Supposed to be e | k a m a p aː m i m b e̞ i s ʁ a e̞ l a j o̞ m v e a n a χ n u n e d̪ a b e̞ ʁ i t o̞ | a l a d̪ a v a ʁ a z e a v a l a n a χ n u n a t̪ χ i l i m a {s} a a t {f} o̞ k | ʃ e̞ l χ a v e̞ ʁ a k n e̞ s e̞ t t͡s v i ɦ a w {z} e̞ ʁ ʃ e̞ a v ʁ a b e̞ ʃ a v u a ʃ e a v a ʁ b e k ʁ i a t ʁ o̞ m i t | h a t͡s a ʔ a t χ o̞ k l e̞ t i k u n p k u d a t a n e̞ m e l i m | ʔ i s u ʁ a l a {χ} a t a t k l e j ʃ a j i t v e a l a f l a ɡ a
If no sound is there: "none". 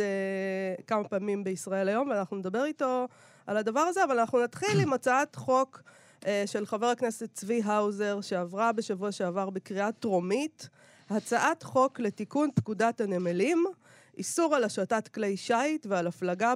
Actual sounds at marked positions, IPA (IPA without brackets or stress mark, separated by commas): t͡s, χ, z, ʃ